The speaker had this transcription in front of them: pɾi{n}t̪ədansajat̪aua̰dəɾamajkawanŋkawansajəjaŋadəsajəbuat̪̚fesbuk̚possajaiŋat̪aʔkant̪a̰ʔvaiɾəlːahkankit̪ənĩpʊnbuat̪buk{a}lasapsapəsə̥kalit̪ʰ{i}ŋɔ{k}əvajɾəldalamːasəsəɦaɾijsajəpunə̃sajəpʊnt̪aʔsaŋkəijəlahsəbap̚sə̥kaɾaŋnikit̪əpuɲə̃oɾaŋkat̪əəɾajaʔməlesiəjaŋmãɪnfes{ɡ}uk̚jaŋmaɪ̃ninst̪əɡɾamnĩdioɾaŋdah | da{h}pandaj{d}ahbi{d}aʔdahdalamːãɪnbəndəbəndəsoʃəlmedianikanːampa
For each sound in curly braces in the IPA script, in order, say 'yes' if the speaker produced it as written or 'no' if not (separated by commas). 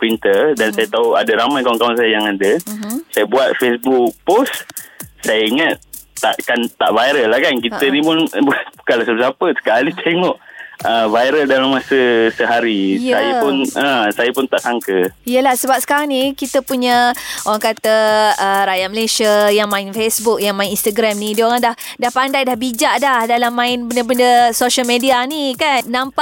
yes, yes, no, no, no, yes, yes, no